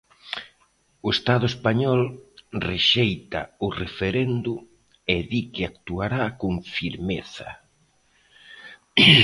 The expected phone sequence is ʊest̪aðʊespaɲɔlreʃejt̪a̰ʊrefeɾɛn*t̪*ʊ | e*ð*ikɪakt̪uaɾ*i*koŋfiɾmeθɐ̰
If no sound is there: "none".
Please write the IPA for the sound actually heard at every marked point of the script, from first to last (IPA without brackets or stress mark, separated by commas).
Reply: d̪, ð, a